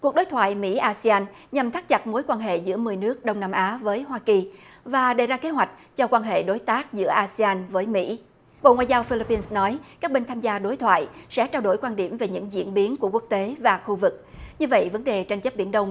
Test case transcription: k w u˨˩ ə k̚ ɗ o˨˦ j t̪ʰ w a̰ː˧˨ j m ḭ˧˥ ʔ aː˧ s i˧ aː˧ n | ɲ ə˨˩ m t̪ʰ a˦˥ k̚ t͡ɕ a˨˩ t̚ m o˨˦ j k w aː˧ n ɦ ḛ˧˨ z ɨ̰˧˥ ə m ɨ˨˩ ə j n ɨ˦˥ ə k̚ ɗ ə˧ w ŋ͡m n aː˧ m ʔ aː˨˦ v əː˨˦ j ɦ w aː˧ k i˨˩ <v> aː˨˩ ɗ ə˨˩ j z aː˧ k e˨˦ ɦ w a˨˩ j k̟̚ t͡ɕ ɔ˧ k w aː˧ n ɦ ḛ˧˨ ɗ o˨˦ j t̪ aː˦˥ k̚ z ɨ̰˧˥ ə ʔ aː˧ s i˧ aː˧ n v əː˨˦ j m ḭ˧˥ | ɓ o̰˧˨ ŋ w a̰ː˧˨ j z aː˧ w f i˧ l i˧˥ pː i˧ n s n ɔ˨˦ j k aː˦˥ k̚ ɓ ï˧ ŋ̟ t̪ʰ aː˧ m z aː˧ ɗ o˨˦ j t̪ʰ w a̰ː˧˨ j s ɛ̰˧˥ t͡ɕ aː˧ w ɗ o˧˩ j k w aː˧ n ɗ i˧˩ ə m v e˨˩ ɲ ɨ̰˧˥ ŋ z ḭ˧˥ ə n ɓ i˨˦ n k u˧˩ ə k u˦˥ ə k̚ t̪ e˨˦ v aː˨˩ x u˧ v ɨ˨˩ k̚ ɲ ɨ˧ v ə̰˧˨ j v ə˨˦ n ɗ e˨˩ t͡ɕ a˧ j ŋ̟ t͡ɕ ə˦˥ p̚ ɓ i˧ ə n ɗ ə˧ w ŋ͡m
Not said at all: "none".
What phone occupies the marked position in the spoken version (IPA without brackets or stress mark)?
v